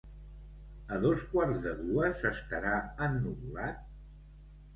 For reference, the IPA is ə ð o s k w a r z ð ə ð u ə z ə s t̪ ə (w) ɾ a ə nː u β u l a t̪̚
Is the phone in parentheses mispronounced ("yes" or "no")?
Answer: yes